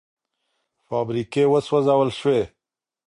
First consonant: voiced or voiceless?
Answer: voiceless